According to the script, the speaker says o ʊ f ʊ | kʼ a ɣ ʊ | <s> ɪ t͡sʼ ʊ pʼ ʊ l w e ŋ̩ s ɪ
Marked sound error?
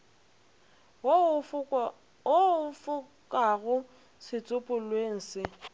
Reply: no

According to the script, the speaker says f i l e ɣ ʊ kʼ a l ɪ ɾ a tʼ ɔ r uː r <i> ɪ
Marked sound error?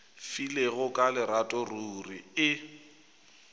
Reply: no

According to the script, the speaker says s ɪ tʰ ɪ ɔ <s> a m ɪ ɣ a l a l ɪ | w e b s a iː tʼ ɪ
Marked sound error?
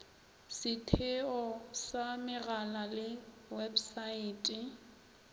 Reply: no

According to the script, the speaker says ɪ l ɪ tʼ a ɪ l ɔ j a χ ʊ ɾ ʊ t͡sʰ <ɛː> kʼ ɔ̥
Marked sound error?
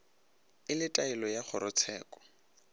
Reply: no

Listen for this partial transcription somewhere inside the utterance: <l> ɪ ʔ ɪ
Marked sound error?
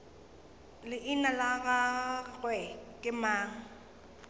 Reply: no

